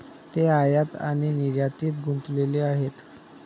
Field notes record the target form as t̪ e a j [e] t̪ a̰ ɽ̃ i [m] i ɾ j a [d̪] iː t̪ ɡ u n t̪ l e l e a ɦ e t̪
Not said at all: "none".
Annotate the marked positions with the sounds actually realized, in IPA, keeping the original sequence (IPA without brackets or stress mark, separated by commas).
a, n, t̪